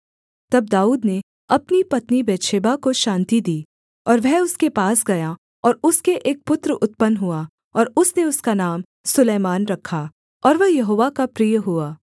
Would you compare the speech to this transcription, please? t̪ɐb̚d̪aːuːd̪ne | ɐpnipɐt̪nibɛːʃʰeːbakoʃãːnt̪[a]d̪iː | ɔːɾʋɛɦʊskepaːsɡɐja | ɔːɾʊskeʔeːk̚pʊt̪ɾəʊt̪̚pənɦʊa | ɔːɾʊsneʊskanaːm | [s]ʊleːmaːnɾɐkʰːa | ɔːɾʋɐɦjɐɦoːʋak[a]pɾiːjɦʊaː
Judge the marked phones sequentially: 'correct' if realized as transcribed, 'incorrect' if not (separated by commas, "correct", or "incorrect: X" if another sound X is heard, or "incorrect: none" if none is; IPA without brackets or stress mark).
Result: incorrect: i, correct, correct